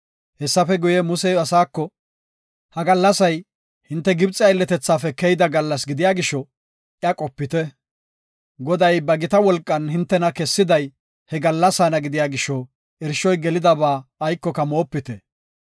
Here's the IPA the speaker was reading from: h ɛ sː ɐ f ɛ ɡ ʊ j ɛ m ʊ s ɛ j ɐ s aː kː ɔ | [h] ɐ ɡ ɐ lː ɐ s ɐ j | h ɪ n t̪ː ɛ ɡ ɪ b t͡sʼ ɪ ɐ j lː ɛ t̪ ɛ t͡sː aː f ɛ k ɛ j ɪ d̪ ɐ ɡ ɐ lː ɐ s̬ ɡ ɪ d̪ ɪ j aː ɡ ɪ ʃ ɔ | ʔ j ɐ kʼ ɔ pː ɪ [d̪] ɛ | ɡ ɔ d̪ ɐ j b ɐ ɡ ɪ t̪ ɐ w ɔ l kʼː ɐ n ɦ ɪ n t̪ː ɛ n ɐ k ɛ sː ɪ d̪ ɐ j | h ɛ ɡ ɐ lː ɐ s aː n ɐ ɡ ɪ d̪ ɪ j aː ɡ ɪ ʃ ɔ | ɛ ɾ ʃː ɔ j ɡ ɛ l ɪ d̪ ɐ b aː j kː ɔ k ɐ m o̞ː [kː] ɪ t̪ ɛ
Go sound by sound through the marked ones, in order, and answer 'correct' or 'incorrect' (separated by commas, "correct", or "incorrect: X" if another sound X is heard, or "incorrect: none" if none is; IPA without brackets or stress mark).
correct, incorrect: t̪, incorrect: pː